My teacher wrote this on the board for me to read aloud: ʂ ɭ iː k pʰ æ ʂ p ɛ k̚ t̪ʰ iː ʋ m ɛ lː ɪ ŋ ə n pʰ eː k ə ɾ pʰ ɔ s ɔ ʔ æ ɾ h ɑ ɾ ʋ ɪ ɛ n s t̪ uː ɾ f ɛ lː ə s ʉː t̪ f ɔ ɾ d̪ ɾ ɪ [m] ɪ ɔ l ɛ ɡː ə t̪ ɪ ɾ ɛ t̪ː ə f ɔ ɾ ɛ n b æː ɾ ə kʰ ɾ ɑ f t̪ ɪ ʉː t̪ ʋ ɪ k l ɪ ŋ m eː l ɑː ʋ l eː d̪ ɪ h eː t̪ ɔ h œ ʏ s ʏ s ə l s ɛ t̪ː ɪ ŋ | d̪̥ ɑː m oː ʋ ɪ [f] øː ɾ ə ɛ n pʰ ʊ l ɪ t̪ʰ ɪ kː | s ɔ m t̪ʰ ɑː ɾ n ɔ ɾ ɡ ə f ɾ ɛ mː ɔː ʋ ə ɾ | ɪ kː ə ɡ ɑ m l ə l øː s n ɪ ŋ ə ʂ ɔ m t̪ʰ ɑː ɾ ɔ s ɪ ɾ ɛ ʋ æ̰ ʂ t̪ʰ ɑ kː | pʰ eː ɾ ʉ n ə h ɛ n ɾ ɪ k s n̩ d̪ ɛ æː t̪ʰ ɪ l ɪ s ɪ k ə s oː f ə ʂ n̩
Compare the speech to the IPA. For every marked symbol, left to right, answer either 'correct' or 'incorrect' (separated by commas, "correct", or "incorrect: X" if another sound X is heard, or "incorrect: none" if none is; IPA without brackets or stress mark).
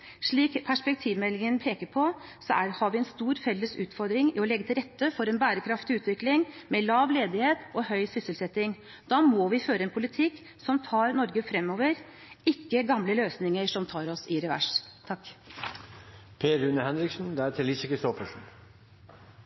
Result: incorrect: ŋ, correct